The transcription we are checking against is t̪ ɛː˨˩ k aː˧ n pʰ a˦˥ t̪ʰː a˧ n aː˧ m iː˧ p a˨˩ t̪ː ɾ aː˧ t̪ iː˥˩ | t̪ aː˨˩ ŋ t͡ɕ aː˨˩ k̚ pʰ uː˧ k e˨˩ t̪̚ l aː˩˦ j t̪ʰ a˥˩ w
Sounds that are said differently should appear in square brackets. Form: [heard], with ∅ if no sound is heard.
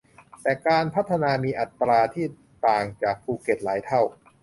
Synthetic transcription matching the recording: t̪ ɛː˨˩ k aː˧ n pʰ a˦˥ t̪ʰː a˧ n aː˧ m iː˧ [ʔ] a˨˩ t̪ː ɾ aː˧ [t̪ʰ] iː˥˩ | t̪ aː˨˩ ŋ t͡ɕ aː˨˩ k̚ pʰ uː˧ k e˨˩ t̪̚ l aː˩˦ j t̪ʰ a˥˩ w

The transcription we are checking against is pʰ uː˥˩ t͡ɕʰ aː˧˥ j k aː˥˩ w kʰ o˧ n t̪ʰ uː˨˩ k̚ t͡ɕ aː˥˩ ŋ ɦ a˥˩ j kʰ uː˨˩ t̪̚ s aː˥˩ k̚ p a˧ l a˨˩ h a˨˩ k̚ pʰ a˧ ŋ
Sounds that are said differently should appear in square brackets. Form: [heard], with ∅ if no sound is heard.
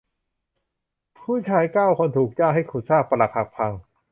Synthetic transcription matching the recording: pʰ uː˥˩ t͡ɕʰ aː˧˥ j k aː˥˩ w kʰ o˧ n t̪ʰ uː˨˩ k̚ t͡ɕ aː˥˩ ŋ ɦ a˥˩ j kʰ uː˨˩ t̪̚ s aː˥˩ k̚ p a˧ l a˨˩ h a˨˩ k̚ pʰ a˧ ŋ

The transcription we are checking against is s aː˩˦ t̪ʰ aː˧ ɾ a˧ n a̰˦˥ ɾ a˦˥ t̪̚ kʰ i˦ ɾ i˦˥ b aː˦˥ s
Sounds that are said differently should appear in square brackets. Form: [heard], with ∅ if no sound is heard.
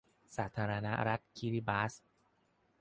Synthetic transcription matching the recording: s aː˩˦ t̪ʰ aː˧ ɾ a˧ n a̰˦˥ ɾ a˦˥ t̪̚ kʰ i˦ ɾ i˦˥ b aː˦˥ s

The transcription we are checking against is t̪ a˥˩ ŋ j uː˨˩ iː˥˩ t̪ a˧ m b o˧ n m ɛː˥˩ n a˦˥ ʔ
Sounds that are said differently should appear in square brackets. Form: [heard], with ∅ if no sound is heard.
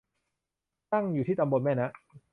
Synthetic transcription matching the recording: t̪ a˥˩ ŋ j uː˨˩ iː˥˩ t̪ a˧ m b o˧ n m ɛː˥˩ n a˦˥ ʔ

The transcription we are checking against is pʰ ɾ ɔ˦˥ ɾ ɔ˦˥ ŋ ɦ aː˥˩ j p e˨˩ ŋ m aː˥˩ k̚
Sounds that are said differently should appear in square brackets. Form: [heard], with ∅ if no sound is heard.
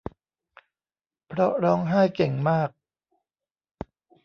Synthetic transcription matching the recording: pʰ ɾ ɔ˦˥ ɾ [ɔː˦˥] ŋ ɦ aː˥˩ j [k] e˨˩ ŋ m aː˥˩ k̚

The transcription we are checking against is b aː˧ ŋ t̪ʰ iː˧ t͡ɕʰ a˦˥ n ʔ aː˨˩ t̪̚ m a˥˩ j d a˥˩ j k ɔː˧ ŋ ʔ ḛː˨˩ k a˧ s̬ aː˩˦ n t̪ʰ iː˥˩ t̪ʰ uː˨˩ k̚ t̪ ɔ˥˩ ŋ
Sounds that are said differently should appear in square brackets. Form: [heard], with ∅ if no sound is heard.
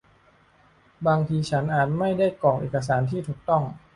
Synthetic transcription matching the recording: b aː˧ ŋ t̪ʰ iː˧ t͡ɕʰ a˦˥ n ʔ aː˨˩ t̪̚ m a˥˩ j d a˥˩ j k [ɔː˨˩] ŋ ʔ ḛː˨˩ k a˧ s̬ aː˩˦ n t̪ʰ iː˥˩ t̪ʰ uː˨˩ k̚ t̪ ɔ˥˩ ŋ

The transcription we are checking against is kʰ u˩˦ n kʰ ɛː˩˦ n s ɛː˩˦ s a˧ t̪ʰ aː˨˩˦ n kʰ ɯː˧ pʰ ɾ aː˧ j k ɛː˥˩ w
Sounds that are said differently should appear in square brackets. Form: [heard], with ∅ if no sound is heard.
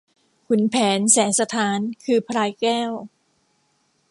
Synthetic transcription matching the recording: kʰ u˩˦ n [pʰ] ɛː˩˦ n s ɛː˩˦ s a˧ t̪ʰ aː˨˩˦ n kʰ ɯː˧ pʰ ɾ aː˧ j k ɛː˥˩ w

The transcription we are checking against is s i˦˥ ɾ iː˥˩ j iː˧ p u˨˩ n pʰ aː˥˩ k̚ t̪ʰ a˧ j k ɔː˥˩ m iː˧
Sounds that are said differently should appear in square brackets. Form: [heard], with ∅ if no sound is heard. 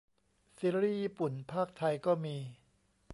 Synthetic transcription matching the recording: s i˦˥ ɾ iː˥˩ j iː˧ p u˨˩ n pʰ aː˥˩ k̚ t̪ʰ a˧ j k ɔː˥˩ m iː˧

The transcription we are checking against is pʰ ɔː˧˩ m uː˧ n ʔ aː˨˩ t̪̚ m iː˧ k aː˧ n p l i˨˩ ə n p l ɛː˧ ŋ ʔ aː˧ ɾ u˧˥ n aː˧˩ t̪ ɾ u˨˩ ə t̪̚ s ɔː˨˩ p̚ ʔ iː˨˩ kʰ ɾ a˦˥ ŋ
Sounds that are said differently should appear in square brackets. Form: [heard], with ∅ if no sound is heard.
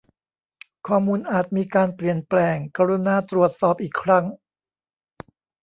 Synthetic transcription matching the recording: [kʰ] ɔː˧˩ m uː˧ n ʔ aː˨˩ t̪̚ m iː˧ k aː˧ n p l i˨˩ ə n p l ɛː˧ ŋ [k] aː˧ ɾ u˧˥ n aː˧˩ t̪ ɾ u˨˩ ə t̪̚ s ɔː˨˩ p̚ ʔ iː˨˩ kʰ ɾ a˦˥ ŋ

